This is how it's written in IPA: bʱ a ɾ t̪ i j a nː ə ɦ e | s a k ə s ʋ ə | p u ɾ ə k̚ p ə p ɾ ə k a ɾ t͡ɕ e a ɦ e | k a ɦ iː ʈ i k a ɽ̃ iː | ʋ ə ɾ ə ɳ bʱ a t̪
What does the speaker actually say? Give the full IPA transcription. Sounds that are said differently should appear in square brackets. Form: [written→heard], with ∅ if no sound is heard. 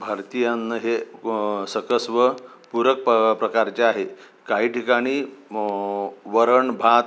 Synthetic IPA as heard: bʱ a ɾ t̪ i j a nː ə ɦ e | s [a→ə] k ə s ʋ ə | p u ɾ ə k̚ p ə p ɾ ə k a ɾ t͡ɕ e a ɦ e | k a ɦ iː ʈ i k a ɽ̃ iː | ʋ ə ɾ ə ɳ bʱ a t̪

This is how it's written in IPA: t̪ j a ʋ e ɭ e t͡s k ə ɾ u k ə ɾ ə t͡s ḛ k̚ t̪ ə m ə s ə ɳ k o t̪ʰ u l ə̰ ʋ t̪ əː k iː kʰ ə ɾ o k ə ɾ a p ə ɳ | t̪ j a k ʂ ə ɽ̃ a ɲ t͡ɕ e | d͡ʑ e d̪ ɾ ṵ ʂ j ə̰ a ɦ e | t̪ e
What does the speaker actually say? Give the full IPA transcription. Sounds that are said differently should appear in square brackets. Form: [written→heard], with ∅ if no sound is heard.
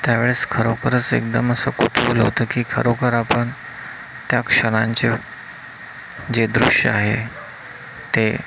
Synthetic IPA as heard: t̪ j a ʋ e ɭ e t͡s [k→kʰ] ə ɾ [u→o] k ə ɾ ə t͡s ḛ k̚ [t̪→d̪] ə m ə s ə [ɳ→∅] k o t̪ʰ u l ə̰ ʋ t̪ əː k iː kʰ ə ɾ o k ə ɾ a p ə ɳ | t̪ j a k ʂ ə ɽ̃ a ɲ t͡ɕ e | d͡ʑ e d̪ ɾ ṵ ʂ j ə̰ a ɦ e | t̪ e

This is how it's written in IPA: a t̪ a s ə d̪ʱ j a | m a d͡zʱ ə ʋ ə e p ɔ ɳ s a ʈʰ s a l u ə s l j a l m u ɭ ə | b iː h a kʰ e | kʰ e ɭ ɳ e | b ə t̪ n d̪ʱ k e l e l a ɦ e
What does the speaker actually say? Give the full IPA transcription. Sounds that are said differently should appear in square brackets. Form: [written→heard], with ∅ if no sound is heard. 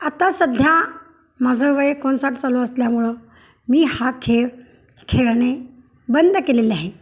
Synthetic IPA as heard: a t̪ a s ə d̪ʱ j a | m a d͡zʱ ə ʋ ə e [p→k] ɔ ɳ s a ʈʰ [s→t͡s] a l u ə s l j a [l→∅] m u ɭ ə | [b→m] iː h a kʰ e | kʰ e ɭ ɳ e | b ə [t̪→∅] n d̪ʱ k e l e l a ɦ e

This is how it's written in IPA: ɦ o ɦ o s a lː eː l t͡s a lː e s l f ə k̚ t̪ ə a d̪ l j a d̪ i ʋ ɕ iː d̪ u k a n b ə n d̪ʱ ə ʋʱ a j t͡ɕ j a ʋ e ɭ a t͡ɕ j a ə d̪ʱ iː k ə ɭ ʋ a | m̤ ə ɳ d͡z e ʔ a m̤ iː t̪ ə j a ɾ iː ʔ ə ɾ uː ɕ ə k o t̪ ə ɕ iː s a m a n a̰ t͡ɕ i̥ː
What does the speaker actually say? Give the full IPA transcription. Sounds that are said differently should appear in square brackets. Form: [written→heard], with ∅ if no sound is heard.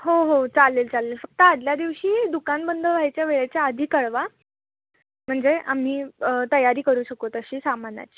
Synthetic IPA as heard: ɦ o ɦ o [s→t͡s] a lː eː l t͡s a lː e [s→∅] l f ə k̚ t̪ ə a d̪ l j a d̪ i ʋ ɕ iː d̪ u k a n b ə n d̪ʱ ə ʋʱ a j t͡ɕ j a ʋ e ɭ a t͡ɕ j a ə d̪ʱ iː k ə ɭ ʋ a | m̤ ə ɳ d͡z e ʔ a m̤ iː t̪ ə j a ɾ iː [ʔ→k] ə ɾ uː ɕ ə k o t̪ ə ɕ iː s a m a n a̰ t͡ɕ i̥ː

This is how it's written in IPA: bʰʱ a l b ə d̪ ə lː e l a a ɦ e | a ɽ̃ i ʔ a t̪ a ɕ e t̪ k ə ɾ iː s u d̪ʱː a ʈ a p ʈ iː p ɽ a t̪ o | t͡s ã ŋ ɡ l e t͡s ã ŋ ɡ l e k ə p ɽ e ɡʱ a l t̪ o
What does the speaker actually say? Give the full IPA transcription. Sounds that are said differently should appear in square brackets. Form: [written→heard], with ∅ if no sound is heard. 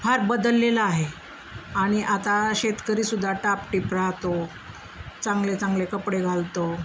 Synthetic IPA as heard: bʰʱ a [l→ɾ] b ə d̪ ə lː e l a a ɦ e | a ɽ̃ i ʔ a t̪ a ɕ e t̪ k ə ɾ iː s u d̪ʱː a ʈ a p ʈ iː p [ɽ→ɾ] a t̪ o | t͡s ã ŋ ɡ l e t͡s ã ŋ ɡ l e k ə p ɽ e ɡʱ a l t̪ o

